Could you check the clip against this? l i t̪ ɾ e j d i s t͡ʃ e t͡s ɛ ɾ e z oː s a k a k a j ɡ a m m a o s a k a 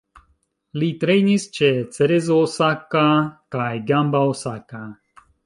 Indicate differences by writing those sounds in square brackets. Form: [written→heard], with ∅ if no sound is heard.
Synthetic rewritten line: l i t̪ ɾ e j [d→n] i s t͡ʃ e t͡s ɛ ɾ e z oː s a k a k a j ɡ a m [m→b] a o s a k a